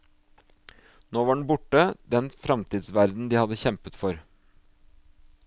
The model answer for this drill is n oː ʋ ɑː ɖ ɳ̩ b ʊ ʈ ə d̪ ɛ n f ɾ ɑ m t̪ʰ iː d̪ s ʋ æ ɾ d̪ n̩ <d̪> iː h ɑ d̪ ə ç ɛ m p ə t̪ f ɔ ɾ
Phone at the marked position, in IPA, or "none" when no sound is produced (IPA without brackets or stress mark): d̪